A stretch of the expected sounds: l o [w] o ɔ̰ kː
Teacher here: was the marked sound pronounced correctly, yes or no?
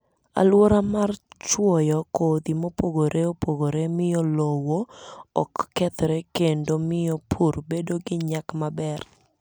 yes